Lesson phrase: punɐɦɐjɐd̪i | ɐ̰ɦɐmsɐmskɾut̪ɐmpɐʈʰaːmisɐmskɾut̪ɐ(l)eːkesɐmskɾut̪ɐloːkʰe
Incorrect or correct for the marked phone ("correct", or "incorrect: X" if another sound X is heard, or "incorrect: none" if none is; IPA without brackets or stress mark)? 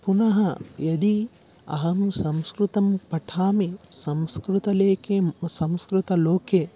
correct